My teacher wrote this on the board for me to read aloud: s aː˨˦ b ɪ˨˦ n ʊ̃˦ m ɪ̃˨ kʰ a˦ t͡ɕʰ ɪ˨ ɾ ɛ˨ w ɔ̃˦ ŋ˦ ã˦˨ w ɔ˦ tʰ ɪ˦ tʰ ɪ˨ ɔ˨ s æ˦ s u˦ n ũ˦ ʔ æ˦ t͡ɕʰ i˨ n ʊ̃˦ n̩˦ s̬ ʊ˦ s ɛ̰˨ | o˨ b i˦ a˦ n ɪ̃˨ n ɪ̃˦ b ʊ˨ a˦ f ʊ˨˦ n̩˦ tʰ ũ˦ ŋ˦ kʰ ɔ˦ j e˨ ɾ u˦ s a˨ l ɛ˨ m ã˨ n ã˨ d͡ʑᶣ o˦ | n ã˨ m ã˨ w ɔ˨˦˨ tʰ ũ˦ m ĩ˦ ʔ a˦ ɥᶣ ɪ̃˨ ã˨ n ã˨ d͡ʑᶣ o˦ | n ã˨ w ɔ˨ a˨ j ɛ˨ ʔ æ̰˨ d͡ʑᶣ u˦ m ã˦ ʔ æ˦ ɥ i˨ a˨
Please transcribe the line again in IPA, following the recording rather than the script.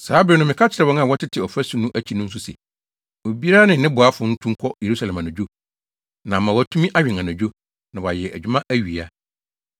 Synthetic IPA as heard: s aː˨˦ b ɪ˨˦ n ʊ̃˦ m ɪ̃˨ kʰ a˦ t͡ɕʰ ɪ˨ ɾ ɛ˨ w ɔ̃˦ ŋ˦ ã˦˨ w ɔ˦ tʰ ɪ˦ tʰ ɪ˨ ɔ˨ f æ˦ s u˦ n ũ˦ ʔ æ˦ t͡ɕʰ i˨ n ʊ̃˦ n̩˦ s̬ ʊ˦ s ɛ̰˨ | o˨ b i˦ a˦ n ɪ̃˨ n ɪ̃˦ b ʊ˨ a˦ f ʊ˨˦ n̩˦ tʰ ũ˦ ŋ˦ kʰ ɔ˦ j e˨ ɾ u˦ s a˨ l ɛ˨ m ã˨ n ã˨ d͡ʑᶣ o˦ | n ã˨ m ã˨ w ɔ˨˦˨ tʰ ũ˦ m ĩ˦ ʔ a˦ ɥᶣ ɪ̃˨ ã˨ n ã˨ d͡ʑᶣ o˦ | n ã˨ w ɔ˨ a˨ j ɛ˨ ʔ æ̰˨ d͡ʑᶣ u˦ m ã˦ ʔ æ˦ ɥ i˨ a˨